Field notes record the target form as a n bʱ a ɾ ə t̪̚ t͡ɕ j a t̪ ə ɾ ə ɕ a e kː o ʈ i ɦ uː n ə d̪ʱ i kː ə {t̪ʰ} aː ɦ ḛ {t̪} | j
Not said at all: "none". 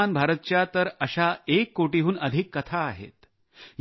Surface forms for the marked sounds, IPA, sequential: t̪ʰ, t̪

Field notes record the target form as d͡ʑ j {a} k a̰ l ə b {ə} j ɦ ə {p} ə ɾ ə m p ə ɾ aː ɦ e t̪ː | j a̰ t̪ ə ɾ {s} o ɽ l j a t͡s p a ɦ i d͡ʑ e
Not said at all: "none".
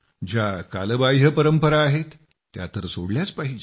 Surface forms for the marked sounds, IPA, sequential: a, a, p, s

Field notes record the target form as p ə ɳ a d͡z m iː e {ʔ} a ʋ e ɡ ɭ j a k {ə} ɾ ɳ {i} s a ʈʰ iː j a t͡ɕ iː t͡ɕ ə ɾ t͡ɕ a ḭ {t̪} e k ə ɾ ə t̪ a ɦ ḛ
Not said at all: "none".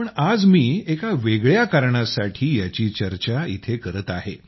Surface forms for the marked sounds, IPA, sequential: k, a, a, t̪ʰ

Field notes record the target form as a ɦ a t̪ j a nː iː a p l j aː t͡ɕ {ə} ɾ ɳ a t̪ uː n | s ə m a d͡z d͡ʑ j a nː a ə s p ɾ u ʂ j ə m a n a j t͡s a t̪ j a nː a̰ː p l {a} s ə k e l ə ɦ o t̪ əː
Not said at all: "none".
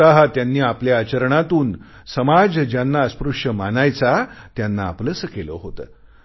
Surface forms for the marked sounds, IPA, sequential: ə, ə

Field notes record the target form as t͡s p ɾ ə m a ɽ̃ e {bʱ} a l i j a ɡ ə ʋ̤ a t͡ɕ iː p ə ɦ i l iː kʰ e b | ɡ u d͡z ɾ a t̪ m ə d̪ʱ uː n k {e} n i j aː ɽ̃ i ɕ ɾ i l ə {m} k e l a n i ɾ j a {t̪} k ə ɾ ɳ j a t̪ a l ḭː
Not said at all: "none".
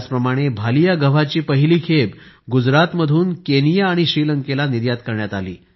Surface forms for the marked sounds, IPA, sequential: bʱ, e, ŋ, t̪

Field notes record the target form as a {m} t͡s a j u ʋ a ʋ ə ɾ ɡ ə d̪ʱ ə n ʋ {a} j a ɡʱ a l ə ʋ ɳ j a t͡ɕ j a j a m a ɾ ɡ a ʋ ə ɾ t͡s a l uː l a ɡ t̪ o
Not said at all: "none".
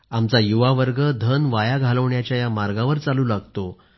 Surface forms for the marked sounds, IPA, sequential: m, a

